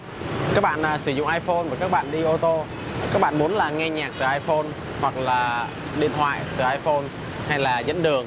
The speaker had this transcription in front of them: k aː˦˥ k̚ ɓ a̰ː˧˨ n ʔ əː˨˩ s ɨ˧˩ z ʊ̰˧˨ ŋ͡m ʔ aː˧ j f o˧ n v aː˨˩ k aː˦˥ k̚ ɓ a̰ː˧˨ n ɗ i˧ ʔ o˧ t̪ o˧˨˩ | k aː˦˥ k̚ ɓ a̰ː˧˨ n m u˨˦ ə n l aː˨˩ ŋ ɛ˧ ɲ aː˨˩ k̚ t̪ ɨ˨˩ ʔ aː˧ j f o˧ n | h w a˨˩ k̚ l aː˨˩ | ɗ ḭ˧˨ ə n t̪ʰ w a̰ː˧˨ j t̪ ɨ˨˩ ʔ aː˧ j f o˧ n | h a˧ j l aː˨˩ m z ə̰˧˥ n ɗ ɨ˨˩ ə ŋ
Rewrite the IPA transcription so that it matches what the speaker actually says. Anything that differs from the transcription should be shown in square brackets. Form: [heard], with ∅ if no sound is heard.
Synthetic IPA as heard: k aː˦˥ k̚ ɓ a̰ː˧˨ n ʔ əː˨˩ s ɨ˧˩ z ʊ̰˧˨ ŋ͡m ʔ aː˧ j f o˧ n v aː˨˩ k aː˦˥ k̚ ɓ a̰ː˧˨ n ɗ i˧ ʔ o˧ t̪ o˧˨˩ | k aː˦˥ k̚ ɓ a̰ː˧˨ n m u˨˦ ə n l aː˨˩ ŋ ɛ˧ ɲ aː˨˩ k̚ t̪ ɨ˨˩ ʔ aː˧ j f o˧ n | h w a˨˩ k̚ l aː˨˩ | ɗ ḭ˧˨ ə n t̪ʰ w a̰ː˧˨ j t̪ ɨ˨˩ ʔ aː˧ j f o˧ n | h a˧ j l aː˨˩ [∅] z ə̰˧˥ n ɗ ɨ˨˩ ə ŋ